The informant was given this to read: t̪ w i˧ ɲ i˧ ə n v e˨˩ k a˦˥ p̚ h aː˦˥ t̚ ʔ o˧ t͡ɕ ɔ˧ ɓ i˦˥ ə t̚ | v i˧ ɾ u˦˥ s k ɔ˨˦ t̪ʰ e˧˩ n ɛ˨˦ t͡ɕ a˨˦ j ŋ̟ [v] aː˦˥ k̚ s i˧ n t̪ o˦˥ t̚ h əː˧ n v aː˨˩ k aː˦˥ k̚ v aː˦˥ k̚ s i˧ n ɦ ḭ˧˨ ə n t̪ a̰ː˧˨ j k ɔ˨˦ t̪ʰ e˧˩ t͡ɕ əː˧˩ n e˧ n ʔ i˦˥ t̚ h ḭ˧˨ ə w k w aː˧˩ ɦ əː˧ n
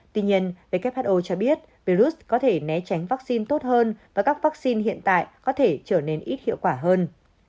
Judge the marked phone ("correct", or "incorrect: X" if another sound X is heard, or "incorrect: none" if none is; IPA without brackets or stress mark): correct